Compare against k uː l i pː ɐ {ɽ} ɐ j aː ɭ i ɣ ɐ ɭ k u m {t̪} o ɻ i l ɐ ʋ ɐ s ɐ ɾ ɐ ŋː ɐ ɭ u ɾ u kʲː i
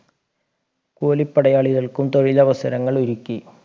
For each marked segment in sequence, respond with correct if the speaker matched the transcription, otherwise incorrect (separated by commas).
correct, correct